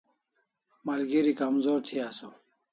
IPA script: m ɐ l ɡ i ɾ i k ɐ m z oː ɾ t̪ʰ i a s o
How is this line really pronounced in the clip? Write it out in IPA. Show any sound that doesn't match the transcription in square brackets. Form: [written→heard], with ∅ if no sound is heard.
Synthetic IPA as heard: m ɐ l ɡ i ɾ i k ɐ m z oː ɾ t̪ʰ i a s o